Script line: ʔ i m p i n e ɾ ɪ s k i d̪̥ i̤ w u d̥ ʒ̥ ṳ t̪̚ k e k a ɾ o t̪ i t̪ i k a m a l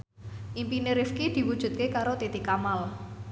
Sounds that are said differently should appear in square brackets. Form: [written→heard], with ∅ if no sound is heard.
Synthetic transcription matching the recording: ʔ i m p i n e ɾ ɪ [s→f] k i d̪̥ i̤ w u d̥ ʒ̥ ṳ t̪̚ k e k a ɾ o t̪ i t̪ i k a m a l

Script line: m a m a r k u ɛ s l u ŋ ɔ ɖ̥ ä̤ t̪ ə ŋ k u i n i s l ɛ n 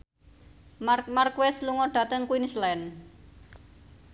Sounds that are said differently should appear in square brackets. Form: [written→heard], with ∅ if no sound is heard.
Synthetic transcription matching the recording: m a m a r k [u→w] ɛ s l u ŋ ɔ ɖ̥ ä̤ t̪ ə ŋ k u i n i s l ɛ n

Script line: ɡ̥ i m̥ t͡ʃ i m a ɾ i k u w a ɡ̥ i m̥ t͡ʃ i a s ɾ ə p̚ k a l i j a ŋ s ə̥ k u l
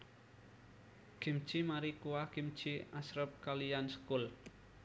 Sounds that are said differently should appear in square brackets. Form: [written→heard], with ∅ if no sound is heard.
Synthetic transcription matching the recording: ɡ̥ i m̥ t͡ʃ i m a ɾ i k u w a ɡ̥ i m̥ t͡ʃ i a s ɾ ə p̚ k a l i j a [ŋ→n] s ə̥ k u l

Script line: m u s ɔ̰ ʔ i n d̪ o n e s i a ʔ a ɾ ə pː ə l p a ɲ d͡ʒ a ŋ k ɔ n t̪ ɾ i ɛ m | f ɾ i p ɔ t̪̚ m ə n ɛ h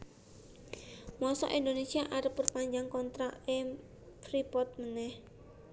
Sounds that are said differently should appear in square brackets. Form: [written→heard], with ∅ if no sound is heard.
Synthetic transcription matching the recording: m [u→ɔ] s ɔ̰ ʔ i n d̪ o n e s i a ʔ a ɾ ə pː ə [l→r] p a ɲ d͡ʒ a ŋ k ɔ n t̪ ɾ [i→a] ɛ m | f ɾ i p ɔ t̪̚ m ə n ɛ h

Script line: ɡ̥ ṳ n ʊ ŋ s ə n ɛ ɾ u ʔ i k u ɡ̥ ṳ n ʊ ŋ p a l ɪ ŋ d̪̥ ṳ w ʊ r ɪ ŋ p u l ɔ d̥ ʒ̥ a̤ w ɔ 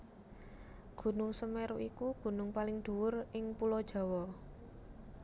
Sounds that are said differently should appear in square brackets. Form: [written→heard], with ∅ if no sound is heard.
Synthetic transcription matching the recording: ɡ̥ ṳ n ʊ ŋ s ə [n→m] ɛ ɾ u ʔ i k u ɡ̥ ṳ n ʊ ŋ p a l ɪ ŋ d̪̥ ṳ w ʊ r ɪ ŋ p u l ɔ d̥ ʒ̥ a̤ w ɔ

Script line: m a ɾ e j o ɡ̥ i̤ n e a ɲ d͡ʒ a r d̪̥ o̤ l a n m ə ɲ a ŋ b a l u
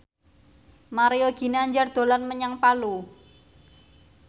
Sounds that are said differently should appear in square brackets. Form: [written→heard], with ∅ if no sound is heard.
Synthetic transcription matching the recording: m a ɾ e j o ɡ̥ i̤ n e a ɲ d͡ʒ a r d̪̥ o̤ l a n m ə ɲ a ŋ [b→p] a l u

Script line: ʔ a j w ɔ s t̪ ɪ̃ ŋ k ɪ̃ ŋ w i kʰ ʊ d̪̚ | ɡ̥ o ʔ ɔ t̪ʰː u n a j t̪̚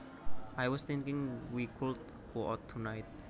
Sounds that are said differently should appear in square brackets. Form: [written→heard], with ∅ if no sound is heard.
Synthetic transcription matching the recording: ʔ a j w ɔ s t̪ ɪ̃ ŋ k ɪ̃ ŋ w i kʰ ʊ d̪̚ | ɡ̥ o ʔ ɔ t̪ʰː u n a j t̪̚

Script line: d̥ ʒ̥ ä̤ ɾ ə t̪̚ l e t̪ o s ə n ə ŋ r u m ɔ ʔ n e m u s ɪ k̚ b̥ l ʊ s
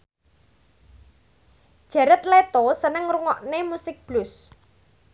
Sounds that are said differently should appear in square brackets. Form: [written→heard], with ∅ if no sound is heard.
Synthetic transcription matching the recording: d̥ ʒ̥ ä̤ ɾ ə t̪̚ l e t̪ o s ə n ə ŋ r u [m→ŋ] ɔ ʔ n e m u s ɪ k̚ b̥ l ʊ s

